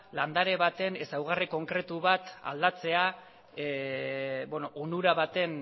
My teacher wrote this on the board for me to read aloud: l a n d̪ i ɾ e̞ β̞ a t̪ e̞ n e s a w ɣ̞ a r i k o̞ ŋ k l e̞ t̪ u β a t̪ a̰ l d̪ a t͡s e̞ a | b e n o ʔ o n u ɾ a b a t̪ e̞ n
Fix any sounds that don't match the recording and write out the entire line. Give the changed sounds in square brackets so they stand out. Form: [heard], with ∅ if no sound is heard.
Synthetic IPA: l a n d̪ [a] ɾ e̞ β̞ a t̪ e̞ n e s a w ɣ̞ a r i k o̞ ŋ k [ɾ] e̞ t̪ u β a t̪ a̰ l d̪ a t͡s e̞ a | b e n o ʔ o n u ɾ a [β] a t̪ e̞ n